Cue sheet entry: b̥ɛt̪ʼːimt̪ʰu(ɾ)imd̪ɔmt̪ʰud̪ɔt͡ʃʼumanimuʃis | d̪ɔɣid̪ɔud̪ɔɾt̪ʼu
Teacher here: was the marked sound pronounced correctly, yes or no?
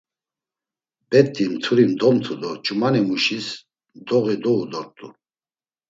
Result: yes